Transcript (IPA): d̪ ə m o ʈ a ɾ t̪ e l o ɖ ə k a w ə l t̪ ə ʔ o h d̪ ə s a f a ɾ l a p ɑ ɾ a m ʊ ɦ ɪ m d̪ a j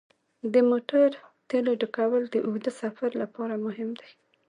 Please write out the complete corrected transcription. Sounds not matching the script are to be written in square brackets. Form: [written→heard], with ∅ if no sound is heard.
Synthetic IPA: d̪ ə m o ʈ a ɾ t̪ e l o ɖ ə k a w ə l [t̪→d̪] ə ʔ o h d̪ ə s a f a ɾ l a p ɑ ɾ a m ʊ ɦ ɪ m d̪ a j